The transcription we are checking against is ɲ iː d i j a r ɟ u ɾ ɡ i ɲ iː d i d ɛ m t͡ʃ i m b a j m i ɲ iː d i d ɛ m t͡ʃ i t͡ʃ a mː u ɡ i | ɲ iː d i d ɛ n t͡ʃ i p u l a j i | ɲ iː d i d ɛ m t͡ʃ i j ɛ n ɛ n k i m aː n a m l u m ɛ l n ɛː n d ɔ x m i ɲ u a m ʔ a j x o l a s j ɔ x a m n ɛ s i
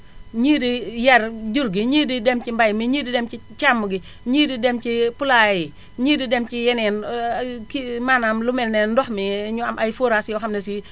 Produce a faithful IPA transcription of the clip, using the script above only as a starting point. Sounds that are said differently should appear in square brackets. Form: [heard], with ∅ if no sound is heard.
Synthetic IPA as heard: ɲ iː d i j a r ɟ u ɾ ɡ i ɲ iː d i d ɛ m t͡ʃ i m b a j m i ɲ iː d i d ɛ m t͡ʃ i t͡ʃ a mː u ɡ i | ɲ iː d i d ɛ [m] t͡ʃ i p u l a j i | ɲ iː d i d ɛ m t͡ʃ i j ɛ n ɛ n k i m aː n a m l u m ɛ l n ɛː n d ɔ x m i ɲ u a m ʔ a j [f] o [ɾ] a s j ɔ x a m n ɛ s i